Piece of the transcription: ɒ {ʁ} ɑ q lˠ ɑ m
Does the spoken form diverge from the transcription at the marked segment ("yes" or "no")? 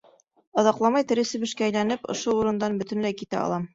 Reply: yes